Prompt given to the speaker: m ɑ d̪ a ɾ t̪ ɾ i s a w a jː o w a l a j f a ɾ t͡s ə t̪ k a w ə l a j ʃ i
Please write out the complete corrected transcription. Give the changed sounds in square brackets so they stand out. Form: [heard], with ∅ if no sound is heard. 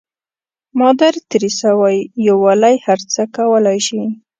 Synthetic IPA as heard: m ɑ d̪ a ɾ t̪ ɾ i s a w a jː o w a l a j [h] a ɾ t͡s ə [∅] k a w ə l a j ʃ i